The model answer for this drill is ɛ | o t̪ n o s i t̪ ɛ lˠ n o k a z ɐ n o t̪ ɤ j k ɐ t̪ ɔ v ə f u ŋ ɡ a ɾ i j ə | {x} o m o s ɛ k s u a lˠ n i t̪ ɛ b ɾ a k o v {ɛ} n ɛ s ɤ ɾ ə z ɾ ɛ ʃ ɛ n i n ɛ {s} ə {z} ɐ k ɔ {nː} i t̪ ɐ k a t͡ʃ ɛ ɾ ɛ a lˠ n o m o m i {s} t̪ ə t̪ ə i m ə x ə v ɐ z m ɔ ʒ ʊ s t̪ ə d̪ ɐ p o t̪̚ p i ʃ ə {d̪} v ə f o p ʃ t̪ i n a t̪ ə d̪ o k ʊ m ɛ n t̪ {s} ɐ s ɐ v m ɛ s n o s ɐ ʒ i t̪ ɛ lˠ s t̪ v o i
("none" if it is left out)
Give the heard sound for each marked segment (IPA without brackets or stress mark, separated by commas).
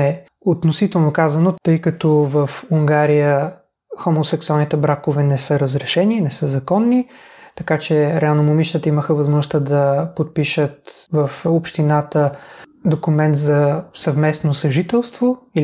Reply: x, ɛ, s, z, nː, ʃ, t̪, z